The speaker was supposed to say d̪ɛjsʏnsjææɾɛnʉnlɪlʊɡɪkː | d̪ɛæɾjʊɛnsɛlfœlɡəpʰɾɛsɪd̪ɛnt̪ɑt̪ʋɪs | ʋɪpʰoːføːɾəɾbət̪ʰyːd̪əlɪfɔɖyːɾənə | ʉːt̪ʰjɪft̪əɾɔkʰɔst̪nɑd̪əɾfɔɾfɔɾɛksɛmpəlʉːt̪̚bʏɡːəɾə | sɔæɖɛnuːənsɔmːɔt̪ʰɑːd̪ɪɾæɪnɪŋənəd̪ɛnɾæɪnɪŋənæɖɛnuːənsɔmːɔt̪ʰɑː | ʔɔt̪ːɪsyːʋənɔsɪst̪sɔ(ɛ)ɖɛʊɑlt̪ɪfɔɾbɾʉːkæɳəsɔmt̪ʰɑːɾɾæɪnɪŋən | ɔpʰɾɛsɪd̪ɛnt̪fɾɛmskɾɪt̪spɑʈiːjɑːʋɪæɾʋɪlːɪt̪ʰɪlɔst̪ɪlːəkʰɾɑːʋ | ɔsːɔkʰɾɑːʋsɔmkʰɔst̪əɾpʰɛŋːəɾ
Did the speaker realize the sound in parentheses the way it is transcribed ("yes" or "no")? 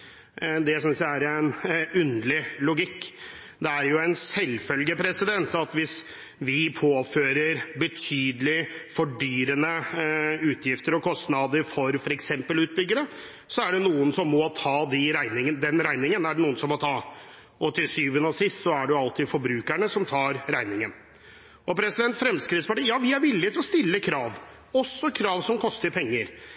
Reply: no